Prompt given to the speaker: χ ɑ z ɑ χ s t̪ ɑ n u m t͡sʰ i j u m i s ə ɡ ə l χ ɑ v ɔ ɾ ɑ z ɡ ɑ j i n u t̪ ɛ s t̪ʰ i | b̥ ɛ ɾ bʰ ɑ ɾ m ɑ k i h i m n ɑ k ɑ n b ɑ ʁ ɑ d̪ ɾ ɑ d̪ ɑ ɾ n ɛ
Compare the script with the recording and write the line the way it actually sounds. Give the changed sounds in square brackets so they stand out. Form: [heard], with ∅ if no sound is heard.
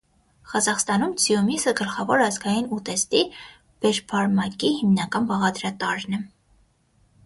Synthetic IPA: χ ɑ z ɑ χ s t̪ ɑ n u m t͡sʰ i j u m i s ə ɡ ə l χ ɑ v ɔ ɾ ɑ z ɡ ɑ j i n u t̪ ɛ s [t̪] i | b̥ ɛ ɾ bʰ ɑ ɾ m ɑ k i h i m n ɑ k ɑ n b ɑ ʁ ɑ d̪ ɾ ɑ [t̪] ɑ ɾ n ɛ